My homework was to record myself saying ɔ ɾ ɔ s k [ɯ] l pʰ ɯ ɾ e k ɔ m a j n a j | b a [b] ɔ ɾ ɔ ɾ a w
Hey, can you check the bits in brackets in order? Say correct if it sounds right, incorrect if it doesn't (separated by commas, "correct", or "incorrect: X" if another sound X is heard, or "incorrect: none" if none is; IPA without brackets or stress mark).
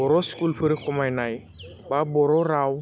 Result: incorrect: u, correct